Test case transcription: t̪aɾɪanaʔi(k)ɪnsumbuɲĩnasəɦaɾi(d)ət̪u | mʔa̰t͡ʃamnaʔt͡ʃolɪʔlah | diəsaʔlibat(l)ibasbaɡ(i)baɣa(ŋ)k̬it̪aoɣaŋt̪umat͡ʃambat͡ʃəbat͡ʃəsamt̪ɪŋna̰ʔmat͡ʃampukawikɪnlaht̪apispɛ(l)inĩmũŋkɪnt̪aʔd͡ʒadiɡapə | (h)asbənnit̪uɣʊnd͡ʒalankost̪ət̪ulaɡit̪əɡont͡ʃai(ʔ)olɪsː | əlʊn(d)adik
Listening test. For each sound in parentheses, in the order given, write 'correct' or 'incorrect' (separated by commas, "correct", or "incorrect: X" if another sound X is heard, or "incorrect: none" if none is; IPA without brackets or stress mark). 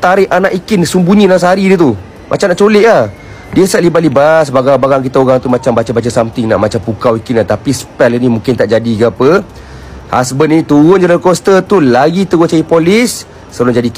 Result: correct, correct, correct, incorrect: a, correct, correct, correct, incorrect: p, incorrect: d͡ʒ